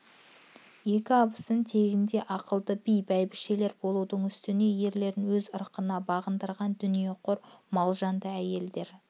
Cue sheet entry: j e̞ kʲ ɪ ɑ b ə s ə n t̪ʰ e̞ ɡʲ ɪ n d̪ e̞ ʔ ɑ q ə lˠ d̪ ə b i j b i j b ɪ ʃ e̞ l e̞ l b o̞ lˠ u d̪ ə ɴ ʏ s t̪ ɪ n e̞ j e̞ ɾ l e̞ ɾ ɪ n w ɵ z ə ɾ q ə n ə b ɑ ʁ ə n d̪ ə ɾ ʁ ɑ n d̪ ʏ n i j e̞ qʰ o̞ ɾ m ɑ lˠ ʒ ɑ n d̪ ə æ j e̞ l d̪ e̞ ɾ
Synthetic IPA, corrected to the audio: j e̞ kʲ ɪ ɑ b ə s ə n t̪ʰ e̞ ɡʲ ɪ n d̪ e̞ ʔ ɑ q ə lˠ d̪ ə b i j b æ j b ɪ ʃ e̞ l e̞ ɾ b o̞ lˠ u d̪ ə ɴ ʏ s t̪ ɪ n e̞ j e̞ ɾ l e̞ ɾ ɪ n w ɵ z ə ɾ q ə n ɑ b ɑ ʁ ə n d̪ ə ɾ ʁ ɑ n d̪ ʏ n i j e̞ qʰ o̞ ɾ m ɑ lˠ ʒ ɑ n d̪ ə æ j e̞ l d̪ e̞ ɾ